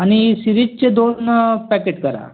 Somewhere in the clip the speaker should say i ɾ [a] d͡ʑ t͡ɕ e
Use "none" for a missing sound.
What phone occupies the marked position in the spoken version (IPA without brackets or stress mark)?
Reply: i